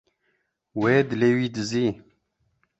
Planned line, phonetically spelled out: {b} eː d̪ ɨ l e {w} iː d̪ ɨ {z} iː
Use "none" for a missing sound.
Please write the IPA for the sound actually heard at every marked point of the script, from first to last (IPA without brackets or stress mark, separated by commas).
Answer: w, w, z